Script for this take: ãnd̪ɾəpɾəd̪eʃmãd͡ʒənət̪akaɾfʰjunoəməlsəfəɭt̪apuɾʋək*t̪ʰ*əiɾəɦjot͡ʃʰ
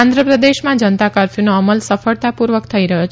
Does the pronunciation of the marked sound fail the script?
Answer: no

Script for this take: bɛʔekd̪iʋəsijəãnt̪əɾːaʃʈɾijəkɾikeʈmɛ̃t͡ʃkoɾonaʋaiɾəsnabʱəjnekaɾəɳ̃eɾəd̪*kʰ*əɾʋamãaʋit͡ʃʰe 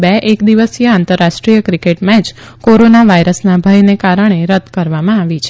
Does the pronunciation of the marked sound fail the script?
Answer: yes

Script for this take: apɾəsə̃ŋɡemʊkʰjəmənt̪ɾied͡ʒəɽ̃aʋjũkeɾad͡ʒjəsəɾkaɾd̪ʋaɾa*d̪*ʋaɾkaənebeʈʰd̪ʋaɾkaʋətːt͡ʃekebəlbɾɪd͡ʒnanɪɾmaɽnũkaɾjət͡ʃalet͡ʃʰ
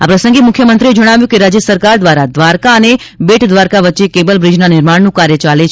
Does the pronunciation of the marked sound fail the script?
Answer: no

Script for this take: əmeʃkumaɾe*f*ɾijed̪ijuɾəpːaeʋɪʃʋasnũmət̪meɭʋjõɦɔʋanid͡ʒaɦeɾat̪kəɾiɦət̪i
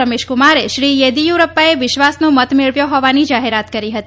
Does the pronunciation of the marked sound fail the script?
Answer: yes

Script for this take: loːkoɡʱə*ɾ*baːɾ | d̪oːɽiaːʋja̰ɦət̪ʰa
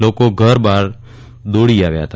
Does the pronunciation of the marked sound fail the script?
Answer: no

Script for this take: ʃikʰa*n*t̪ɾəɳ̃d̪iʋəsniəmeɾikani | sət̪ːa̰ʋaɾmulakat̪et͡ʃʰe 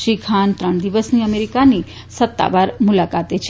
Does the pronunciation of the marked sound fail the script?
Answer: no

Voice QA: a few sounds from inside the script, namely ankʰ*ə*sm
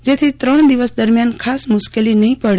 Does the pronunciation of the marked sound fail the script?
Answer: yes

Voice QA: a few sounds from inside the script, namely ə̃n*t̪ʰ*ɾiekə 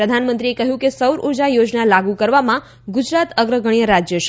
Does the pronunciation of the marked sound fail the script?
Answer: yes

